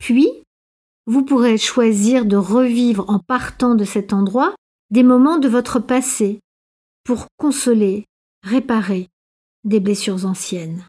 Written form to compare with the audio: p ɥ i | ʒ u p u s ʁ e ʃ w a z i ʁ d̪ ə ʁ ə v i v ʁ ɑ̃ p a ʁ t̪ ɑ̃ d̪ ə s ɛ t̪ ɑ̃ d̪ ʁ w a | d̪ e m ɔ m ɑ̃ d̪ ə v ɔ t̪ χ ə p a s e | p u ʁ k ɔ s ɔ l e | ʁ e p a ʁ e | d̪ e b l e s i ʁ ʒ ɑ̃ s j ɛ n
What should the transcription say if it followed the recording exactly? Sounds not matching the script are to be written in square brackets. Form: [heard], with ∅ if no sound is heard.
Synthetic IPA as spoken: p ɥ i | [v] u p u [∅] ʁ e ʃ w a z i ʁ d̪ ə ʁ ə v i v ʁ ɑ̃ p a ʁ t̪ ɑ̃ d̪ ə s ɛ t̪ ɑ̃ d̪ ʁ w a | d̪ e m ɔ m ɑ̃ d̪ ə v ɔ t̪ χ ə p a s e | p u ʁ k [ɔ̃] s ɔ l e | ʁ e p a ʁ e | d̪ e b l e s [y] ʁ [z] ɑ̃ s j ɛ n